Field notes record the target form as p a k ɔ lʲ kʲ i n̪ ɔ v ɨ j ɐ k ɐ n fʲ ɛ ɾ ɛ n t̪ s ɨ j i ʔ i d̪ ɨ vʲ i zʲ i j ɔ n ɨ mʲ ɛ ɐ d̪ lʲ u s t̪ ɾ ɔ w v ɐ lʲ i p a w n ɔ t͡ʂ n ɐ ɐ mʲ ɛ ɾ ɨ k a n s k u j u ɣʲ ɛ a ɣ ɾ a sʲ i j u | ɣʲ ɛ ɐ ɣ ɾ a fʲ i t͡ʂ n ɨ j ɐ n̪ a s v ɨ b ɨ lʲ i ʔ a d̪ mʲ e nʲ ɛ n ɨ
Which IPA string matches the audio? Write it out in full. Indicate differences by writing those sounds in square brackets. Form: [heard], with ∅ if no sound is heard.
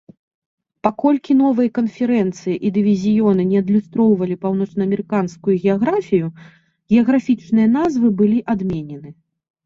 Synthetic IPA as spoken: p a k ɔ lʲ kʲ i n̪ ɔ v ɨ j ɐ k ɐ n fʲ ɛ ɾ ɛ n t̪ s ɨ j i ʔ i d̪ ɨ vʲ i zʲ i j ɔ n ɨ [nʲ] ɛ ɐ d̪ lʲ u s t̪ ɾ ɔ w v ɐ lʲ i p a w n ɔ t͡ʂ n ɐ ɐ mʲ ɛ ɾ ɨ k a n s k u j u ɣʲ ɛ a ɣ ɾ a [fʲ] i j u | ɣʲ ɛ ɐ ɣ ɾ a fʲ i t͡ʂ n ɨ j ɐ n̪ a [z] v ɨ b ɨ lʲ i ʔ a d̪ mʲ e nʲ ɛ n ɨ